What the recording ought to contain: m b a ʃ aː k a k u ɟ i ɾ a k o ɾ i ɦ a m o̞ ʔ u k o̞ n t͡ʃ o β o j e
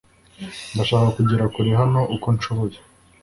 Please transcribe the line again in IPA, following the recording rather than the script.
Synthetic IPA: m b a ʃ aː k a k u ɟ i ɾ a k u ɾ i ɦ a n o̞ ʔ u k o̞ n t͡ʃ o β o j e